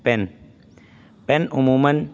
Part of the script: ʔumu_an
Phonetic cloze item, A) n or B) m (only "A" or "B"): B